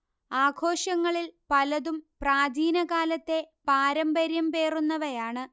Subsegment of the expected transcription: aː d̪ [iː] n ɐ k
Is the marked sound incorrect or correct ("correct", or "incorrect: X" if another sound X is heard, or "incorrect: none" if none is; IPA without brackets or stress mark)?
correct